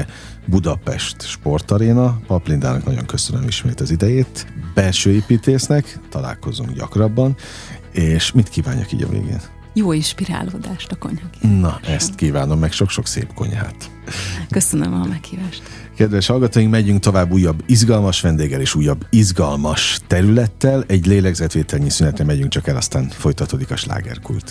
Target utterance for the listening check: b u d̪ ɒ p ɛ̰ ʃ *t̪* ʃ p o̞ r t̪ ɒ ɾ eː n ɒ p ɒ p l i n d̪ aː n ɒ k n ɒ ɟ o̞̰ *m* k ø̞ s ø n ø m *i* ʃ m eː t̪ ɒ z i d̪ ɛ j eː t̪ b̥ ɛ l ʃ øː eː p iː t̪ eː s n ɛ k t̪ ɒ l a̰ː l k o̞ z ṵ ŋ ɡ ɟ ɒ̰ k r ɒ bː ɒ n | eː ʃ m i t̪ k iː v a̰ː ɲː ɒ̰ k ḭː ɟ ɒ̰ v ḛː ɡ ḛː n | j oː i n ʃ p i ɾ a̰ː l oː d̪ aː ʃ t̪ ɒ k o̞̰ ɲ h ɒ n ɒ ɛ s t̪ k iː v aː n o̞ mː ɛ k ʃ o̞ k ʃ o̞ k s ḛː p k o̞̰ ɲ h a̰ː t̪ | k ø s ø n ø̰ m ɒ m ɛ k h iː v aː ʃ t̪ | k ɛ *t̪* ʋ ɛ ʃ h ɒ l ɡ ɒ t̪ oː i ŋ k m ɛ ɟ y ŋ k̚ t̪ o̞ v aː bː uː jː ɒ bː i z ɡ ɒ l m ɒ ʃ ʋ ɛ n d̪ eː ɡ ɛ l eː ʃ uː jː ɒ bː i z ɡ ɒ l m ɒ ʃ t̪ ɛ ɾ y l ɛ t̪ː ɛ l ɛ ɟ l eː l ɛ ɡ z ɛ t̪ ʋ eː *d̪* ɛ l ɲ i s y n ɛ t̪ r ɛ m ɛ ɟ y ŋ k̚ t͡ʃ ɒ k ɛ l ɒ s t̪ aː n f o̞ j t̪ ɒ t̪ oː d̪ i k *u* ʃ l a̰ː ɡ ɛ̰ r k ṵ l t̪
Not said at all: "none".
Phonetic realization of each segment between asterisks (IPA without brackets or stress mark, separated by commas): t̪, ŋ, i, d̪, t̪, ɒ